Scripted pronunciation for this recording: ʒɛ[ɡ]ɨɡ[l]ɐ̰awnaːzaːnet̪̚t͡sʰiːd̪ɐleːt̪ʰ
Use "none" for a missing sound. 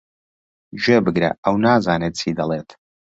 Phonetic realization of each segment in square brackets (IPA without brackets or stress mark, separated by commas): b, ɾ